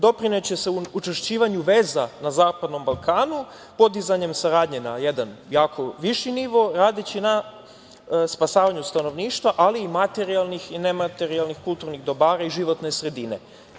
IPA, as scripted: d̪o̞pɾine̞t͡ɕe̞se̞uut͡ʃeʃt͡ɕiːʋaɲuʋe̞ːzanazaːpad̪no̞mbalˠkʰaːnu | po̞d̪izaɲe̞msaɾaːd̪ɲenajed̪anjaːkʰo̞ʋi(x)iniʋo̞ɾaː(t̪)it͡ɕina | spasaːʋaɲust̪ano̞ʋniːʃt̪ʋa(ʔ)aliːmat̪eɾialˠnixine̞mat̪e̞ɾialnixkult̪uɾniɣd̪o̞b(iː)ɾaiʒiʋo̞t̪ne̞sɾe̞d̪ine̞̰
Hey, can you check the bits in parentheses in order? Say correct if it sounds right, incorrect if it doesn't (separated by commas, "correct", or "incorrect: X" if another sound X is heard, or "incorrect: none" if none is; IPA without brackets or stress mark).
incorrect: ʃ, incorrect: d̪, correct, incorrect: aː